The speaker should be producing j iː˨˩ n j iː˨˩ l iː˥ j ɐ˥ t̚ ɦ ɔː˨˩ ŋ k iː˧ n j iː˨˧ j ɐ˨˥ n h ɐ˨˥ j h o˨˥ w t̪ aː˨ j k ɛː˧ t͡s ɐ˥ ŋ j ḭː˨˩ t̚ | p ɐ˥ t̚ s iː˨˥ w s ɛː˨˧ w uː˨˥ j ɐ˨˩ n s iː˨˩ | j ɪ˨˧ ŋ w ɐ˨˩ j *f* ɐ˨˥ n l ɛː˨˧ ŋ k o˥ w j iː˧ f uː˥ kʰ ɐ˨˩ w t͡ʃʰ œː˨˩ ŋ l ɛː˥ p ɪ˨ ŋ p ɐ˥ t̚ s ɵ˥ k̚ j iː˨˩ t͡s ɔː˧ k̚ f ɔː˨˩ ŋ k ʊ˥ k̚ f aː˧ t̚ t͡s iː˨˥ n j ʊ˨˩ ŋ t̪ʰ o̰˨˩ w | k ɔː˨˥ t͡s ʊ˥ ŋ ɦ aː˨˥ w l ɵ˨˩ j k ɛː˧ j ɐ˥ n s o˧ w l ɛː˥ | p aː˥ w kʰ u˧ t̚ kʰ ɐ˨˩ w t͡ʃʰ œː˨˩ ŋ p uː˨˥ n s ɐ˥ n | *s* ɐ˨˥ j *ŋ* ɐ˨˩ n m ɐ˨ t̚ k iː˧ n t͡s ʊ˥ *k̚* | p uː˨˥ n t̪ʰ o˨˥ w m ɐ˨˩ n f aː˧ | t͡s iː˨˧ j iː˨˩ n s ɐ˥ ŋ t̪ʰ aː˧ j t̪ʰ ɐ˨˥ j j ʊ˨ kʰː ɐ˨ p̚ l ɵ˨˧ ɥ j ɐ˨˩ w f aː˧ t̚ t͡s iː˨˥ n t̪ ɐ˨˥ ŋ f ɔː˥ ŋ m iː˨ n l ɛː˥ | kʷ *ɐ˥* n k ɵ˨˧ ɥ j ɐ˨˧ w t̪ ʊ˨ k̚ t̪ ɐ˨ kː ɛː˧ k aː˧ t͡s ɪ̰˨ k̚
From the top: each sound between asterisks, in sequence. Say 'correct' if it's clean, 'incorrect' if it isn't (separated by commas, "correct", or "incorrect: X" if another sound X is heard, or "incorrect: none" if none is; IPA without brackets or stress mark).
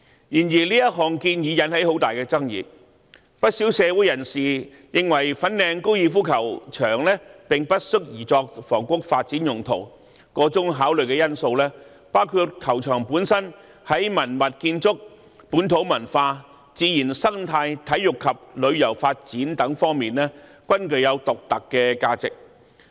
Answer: correct, incorrect: h, incorrect: m, correct, correct